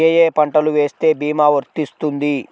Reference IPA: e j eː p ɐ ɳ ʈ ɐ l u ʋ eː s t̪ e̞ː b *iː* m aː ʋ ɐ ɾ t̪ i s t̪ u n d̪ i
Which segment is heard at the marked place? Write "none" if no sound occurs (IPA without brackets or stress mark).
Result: iː